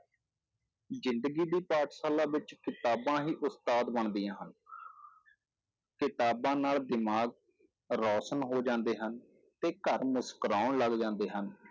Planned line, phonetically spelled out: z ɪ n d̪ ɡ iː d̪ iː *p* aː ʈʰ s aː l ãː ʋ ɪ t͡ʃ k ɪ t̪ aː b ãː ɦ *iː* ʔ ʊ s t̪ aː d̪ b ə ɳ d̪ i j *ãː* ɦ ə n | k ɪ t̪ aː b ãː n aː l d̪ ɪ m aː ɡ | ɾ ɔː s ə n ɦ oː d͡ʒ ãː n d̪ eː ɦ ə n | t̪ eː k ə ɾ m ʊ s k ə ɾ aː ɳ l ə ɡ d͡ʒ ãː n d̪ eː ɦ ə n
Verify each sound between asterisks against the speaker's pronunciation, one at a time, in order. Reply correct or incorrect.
correct, correct, correct

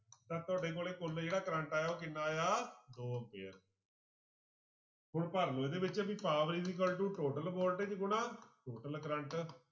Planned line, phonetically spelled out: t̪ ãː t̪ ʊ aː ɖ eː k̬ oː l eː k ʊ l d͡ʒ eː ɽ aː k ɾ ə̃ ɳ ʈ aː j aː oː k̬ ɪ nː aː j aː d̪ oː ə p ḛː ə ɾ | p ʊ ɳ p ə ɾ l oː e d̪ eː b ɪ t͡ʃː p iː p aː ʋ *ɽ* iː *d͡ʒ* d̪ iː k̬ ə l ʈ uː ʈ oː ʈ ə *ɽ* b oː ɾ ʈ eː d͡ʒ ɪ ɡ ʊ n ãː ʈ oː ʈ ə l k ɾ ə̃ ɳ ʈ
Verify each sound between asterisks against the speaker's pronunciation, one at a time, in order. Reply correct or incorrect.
incorrect: ɾ, incorrect: none, incorrect: l

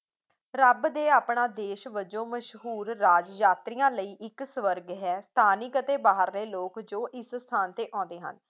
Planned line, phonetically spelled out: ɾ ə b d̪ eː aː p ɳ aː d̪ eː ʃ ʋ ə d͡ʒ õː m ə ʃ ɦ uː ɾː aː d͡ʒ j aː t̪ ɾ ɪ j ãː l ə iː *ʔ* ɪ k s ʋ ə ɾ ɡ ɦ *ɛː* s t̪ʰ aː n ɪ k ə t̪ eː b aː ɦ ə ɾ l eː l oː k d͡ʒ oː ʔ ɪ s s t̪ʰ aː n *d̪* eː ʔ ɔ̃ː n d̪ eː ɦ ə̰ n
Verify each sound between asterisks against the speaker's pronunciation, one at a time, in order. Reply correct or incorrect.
correct, correct, incorrect: t̪

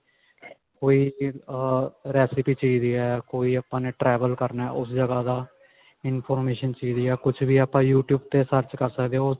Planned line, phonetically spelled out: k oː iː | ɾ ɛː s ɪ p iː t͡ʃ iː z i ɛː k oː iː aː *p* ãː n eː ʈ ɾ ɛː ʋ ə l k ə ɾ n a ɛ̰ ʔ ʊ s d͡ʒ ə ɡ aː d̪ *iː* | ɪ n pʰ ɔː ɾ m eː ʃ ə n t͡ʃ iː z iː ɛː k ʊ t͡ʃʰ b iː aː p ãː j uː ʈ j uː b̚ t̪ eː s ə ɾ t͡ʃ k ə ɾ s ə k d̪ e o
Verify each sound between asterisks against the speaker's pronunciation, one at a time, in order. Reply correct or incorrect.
correct, incorrect: aː

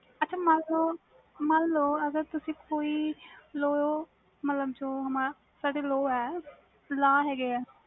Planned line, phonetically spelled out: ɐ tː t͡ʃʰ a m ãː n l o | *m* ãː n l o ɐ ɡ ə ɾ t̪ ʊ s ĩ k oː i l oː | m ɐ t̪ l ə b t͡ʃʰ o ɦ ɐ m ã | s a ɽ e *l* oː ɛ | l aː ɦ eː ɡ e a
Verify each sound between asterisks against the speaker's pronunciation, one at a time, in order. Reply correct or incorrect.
correct, correct

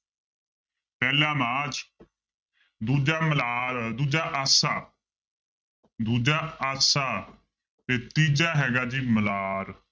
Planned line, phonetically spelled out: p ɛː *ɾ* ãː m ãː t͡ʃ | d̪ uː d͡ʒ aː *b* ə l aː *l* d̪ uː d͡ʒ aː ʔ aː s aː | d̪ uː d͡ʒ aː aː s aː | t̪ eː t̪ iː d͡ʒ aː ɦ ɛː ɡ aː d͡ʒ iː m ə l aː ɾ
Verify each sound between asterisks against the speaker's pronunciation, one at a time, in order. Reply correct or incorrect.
incorrect: l, incorrect: m, incorrect: ɾ

